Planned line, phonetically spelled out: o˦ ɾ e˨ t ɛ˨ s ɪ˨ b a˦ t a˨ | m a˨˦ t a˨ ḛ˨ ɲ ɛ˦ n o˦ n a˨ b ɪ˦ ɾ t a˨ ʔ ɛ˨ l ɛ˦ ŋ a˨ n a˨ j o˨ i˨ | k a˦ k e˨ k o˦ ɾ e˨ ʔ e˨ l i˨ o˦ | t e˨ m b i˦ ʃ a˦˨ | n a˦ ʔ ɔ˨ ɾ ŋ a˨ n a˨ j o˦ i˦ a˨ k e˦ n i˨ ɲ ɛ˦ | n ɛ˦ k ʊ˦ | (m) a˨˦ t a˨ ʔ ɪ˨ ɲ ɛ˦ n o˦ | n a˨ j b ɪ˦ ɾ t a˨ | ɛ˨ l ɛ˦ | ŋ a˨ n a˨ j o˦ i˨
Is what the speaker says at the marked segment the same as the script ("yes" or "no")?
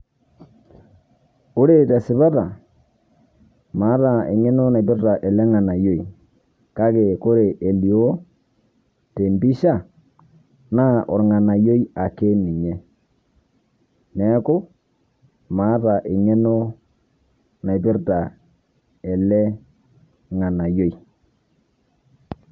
yes